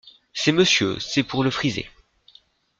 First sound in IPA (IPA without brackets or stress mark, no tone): s